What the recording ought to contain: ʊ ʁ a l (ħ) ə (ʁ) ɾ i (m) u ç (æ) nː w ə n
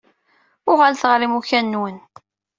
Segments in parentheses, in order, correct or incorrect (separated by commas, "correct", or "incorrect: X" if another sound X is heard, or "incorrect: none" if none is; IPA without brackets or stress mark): incorrect: θ, correct, correct, correct